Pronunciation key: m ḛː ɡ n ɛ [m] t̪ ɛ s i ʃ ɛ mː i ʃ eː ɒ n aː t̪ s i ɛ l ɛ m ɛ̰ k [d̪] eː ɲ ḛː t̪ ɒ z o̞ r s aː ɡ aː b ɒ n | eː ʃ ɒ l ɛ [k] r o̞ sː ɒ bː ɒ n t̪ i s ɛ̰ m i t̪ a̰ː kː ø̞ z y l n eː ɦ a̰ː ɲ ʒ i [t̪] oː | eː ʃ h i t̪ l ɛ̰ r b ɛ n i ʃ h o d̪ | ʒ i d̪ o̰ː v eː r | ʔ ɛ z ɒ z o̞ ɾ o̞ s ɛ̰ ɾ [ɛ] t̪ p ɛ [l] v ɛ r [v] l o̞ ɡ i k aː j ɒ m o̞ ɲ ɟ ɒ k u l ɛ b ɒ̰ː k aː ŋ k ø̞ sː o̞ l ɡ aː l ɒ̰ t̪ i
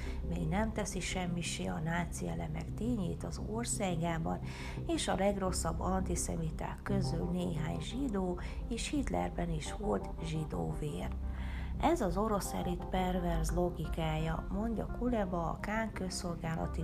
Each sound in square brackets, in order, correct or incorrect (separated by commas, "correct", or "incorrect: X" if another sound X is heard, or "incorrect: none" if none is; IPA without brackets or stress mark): correct, incorrect: t̪, incorrect: ɡ, incorrect: d̪, incorrect: i, incorrect: r, incorrect: z